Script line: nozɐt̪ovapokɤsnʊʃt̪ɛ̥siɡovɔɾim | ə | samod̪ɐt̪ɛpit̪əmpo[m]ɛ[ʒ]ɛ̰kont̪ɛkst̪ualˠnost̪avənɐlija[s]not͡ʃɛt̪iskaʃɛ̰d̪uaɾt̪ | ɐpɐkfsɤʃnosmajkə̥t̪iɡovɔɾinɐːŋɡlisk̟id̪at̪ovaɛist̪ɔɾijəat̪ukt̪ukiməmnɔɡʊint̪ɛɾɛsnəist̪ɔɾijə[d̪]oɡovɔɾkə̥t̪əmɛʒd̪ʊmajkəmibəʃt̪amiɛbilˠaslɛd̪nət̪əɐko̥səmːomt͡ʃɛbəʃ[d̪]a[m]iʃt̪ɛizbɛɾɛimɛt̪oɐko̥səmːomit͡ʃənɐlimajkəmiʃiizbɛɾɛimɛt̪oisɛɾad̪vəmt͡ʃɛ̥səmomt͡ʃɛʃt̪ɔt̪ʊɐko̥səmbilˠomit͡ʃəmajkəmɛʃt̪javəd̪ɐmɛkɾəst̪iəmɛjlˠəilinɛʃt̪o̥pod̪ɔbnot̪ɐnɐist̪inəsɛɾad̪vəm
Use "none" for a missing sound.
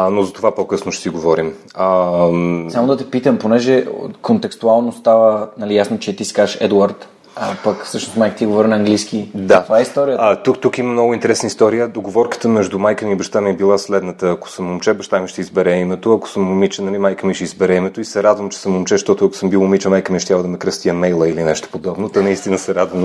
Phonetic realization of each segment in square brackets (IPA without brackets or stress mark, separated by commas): n, ʒ, s, d̪, t̪, m